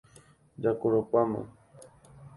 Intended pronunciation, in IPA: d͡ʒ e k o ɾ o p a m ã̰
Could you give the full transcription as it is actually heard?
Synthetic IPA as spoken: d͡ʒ a k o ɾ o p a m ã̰

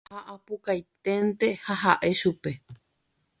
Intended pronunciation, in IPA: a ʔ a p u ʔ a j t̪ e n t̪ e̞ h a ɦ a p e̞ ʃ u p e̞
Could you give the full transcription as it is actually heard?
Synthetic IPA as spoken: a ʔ a p u k a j t̪ e n t̪ e̞ h a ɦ a ʔ e̞ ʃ u p e̞

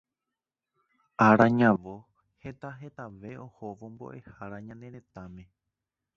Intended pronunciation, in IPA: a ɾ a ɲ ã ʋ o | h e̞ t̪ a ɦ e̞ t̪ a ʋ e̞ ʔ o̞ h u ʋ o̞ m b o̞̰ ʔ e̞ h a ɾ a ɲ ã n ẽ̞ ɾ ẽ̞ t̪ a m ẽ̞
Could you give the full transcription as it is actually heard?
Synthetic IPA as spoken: a ɾ a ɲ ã ʋ o | h e̞ t̪ a ɦ e̞ t̪ a ʋ e̞ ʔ o̞ h o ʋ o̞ m b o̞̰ ʔ e̞ h a ɾ a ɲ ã n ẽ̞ ɾ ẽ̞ t̪ a m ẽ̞

